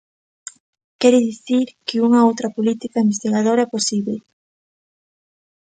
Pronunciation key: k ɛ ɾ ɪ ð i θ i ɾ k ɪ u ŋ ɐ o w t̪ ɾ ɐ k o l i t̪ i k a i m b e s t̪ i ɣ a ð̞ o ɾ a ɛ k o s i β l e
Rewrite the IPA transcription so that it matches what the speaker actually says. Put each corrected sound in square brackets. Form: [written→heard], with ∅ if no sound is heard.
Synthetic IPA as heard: k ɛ ɾ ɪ ð i θ i ɾ k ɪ u ŋ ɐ o w t̪ ɾ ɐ [k→p] o l i t̪ i k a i m b e s t̪ i ɣ a ð̞ o ɾ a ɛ [k→p] o s i β l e